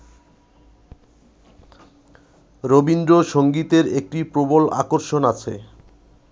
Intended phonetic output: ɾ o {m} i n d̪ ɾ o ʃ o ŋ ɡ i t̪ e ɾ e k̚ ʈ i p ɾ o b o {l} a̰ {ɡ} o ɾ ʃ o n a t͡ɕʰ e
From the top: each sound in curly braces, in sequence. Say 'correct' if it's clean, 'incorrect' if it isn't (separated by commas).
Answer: incorrect, correct, incorrect